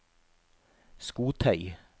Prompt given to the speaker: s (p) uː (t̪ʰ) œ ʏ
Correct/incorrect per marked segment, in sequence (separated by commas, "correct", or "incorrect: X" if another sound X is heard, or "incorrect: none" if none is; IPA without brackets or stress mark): incorrect: k, correct